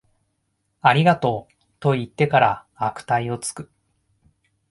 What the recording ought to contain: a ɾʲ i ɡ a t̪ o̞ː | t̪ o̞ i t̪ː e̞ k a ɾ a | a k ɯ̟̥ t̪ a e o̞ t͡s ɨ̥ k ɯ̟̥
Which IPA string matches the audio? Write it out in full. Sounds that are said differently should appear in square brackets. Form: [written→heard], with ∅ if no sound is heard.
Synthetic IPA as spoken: a ɾʲ i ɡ a t̪ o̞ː | t̪ o̞ i t̪ː e̞ k a ɾ a | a k ɯ̟̥ t̪ a [e→i] o̞ t͡s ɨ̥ k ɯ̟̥